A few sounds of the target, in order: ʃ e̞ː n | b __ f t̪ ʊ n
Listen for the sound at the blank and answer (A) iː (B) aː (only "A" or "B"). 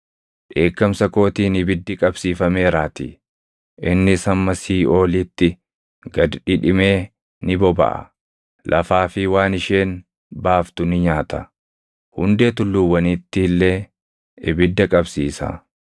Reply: B